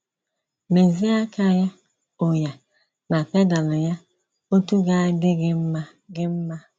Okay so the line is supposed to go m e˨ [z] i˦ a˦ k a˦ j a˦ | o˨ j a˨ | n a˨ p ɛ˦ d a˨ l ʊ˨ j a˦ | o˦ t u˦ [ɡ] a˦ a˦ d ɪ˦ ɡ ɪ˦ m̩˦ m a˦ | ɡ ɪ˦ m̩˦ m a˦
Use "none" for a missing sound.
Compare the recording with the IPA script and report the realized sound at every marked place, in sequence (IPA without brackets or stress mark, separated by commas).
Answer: z, ɡ